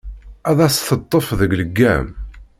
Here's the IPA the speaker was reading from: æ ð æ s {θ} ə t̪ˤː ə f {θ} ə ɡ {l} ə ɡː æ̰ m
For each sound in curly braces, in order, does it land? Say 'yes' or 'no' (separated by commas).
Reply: yes, no, yes